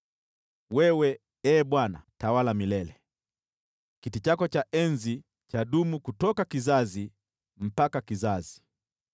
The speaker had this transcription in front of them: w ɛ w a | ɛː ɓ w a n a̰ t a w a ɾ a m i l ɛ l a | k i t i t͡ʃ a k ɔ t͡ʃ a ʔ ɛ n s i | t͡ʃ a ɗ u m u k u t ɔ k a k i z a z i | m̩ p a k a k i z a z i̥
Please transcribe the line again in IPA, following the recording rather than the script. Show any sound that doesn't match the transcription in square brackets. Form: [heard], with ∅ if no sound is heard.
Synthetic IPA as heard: w ɛ w [ɛ] | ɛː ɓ w a n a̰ t a w a [l] a m i l ɛ l [ɛ] | k i t i t͡ʃ a k ɔ t͡ʃ a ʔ ɛ n [z] i | t͡ʃ a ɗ u m u k u t ɔ k a k i z a z i | m̩ p a k a k i z a z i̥